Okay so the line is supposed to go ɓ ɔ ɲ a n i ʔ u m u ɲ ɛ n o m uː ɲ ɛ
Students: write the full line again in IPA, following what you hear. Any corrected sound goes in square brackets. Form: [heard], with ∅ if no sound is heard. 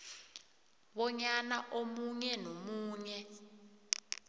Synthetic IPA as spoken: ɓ ɔ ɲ a n [a] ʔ [o] m u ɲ ɛ n o m uː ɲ ɛ

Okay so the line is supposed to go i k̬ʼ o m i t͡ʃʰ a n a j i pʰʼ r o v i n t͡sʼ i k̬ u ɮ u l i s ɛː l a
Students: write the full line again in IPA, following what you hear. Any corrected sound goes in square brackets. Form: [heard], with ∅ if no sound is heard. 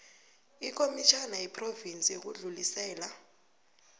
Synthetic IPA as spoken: i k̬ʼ o m i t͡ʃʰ a n a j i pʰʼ r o v i n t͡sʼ i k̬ u ɮ u l i s ɛː l a

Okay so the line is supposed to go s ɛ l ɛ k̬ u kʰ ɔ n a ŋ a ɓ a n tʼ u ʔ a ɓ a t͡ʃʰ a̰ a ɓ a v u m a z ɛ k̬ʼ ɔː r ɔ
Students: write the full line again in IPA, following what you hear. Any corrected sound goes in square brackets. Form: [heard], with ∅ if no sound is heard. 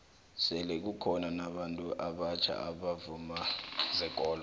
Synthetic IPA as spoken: s ɛ l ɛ k̬ u kʰ ɔ n a [n] a ɓ a n tʼ u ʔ a ɓ a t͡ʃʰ a̰ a ɓ a v u m a z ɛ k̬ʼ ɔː [l] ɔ

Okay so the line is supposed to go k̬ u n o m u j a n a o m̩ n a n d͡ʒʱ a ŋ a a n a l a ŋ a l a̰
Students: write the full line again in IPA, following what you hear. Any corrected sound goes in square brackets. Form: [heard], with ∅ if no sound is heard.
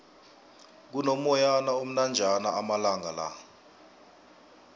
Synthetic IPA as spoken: k̬ u n o m [ɔ] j a n a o m̩ n a n d͡ʒʱ a [n] a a [m] a l a ŋ a l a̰

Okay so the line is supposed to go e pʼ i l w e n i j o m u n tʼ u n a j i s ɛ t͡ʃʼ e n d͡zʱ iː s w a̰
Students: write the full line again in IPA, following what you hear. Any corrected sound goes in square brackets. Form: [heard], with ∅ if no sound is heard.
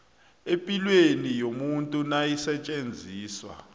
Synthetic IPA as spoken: e pʼ i l w e n i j o m u n tʼ u n a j i s ɛ t͡ʃʼ e n d͡zʱ iː s w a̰

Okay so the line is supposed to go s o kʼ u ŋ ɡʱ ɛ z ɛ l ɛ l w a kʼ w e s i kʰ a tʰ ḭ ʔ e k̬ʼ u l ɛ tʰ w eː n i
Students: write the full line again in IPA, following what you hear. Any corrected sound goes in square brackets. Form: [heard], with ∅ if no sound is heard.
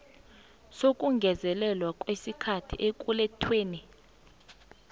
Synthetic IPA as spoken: s o kʼ u ŋ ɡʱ ɛ z ɛ l ɛ l w a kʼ w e s i kʰ a tʰ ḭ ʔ e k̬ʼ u l ɛ tʰ w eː n i

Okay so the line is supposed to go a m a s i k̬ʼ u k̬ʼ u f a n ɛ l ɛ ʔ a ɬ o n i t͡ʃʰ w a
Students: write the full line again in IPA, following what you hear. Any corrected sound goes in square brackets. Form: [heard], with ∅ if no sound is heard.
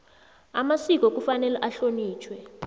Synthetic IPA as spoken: a m a s i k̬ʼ [ɔ] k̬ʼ u f a n ɛ l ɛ ʔ a ɬ o n [iː] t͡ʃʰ w [ɛ]

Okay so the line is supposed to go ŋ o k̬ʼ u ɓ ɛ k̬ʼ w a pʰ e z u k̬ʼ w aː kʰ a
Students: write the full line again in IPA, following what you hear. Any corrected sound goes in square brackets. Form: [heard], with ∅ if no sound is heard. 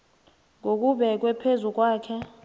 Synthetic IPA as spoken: ŋ o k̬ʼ u ɓ ɛ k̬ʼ w [ɛ] pʰ e z u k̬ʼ w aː kʰ [ɛ]

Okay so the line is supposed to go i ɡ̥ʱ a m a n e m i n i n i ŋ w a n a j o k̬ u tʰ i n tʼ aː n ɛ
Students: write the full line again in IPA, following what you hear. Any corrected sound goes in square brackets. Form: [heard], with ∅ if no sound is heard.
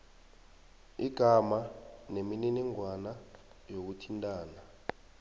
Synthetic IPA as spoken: i ɡ̥ʱ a m a n e m i n i n i ŋ w a n a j o k̬ u tʰ i n tʼ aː n [a]

